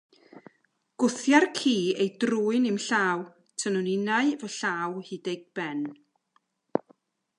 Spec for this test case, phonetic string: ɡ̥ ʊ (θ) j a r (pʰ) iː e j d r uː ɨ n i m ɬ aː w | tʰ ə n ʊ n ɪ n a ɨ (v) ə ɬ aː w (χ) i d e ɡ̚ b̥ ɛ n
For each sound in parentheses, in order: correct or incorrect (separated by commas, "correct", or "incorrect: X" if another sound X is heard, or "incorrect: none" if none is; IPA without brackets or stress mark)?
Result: correct, incorrect: kʰ, correct, incorrect: h